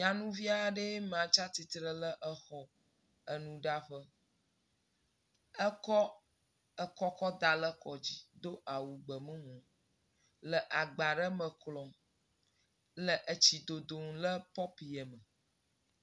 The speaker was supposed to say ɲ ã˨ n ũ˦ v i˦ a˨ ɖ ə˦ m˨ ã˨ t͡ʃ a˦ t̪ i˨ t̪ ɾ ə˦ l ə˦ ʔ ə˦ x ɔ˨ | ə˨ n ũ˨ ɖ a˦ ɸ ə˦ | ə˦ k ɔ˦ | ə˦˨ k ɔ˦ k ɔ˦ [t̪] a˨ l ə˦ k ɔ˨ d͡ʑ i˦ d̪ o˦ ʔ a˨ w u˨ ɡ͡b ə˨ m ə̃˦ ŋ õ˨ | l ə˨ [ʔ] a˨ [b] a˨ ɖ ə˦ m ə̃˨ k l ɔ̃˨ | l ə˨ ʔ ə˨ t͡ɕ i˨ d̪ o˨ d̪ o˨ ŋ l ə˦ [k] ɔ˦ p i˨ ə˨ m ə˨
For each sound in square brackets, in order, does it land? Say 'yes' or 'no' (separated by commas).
no, yes, no, no